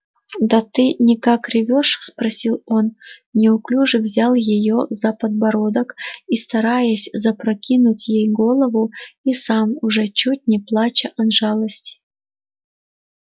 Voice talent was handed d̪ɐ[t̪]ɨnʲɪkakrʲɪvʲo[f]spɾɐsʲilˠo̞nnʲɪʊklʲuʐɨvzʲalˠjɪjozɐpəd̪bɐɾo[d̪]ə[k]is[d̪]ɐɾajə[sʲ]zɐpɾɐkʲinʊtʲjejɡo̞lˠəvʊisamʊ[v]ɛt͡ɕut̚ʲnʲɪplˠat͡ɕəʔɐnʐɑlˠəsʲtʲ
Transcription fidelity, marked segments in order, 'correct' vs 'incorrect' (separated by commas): correct, incorrect, correct, correct, incorrect, correct, incorrect